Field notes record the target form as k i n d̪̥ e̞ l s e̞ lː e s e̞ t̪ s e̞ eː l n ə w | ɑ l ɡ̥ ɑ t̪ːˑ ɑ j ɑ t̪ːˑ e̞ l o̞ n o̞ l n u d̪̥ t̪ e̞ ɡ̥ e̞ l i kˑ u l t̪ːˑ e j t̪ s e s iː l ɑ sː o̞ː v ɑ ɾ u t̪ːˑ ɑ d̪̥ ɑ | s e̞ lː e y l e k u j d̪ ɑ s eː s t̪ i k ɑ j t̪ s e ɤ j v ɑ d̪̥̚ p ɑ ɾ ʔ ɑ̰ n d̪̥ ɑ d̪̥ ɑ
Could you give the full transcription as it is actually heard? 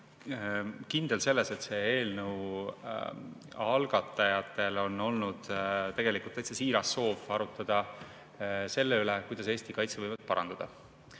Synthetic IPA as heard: k i n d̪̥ e̞ l s e̞ lː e s e̞ t̪ s e̞ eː l n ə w | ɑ l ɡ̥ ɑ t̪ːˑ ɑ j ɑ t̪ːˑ e̞ l o̞ n o̞ l n u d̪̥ t̪ e̞ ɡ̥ e̞ l i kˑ u l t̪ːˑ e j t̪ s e s iː ɾ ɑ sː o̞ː v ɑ ɾ u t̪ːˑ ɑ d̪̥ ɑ | s e̞ lː e y l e k u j d̪ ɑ s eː s t̪ i k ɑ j t̪ s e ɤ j v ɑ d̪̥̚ p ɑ ɾ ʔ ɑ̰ n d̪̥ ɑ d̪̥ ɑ